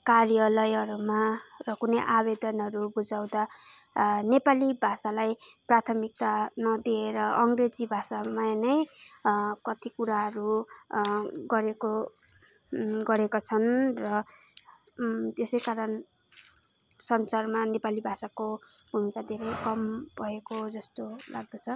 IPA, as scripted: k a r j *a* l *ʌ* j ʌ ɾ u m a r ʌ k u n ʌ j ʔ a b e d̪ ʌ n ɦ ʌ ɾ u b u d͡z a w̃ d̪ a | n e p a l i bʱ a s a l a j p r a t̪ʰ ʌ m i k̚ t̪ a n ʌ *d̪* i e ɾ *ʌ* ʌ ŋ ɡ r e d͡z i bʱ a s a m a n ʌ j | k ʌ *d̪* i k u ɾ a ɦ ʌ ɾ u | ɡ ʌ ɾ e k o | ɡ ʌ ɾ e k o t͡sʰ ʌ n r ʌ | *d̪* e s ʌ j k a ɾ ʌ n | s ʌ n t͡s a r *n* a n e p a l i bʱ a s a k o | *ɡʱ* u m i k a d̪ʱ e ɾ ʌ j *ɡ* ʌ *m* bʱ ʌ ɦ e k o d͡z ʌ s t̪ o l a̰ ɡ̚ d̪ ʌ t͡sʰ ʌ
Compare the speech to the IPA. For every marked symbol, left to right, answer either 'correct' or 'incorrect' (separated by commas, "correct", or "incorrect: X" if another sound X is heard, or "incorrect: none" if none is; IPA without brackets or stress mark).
incorrect: ʌ, correct, correct, correct, incorrect: t̪, incorrect: t̪, incorrect: m, incorrect: bʱ, incorrect: k, correct